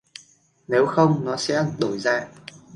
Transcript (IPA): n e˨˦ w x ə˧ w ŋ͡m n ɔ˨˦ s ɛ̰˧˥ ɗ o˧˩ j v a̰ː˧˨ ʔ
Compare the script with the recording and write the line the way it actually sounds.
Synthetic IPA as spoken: n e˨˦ w x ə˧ w ŋ͡m n ɔ˨˦ s ɛ̰˧˥ ɗ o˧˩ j z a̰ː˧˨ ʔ